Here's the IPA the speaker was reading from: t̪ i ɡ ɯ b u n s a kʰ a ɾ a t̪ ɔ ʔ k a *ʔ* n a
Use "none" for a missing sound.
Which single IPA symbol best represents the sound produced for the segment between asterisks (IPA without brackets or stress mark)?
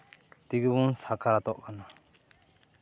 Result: none